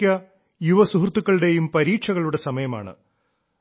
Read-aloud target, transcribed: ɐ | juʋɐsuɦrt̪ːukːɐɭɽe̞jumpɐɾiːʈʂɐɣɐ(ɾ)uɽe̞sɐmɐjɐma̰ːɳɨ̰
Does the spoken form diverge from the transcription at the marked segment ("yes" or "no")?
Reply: yes